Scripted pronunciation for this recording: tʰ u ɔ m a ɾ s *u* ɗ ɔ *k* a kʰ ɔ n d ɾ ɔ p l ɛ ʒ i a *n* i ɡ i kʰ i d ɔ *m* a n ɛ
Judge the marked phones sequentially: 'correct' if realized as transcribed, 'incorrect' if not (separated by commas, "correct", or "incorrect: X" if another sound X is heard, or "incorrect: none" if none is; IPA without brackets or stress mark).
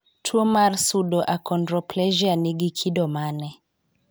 correct, incorrect: ʔ, correct, correct